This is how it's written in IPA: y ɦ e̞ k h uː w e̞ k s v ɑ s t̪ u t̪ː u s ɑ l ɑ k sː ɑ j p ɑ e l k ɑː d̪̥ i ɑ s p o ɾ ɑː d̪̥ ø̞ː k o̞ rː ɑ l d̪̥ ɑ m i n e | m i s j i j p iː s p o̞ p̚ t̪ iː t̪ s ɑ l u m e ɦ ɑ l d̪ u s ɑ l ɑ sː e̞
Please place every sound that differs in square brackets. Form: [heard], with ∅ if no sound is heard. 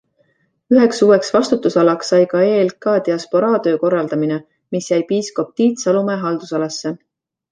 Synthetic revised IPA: y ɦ e̞ k [s] uː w e̞ k s v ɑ s t̪ u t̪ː u s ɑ l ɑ k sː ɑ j [k] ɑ e l k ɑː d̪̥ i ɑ s p o ɾ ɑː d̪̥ ø̞ː k o̞ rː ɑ l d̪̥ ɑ m i n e | m i s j [æ] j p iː s [k] o̞ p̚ t̪ iː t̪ s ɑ l u m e ɦ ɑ l d̪ u s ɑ l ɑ sː e̞

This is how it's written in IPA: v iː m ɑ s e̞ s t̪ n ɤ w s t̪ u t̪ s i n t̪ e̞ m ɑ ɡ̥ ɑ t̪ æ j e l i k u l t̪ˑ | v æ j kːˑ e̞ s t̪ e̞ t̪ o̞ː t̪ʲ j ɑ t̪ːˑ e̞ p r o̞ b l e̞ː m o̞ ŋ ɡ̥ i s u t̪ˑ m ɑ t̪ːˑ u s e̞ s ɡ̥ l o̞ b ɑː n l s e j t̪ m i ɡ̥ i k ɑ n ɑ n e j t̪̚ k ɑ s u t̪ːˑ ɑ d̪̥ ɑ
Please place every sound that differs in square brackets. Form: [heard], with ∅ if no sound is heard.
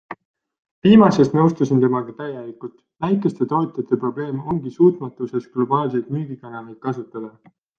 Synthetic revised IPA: v iː m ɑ s e̞ s t̪ n ɤ w s t̪ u [∅] s i n t̪ e̞ m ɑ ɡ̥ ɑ t̪ æ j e l i k u l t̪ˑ | v æ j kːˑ e̞ s t̪ e̞ t̪ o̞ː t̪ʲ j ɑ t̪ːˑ e̞ p r o̞ b l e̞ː m o̞ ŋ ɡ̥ i s [uː] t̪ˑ m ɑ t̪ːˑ u s e̞ s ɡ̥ l o̞ b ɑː [∅] l s e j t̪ m [y] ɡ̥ i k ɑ n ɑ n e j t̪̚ k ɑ s u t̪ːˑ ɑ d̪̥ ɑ

